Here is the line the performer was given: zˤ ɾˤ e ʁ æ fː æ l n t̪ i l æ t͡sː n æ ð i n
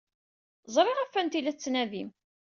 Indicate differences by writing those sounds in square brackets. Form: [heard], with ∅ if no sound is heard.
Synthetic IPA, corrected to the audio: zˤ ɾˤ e ʁ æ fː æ [∅] n t̪ i l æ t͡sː n æ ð i [m]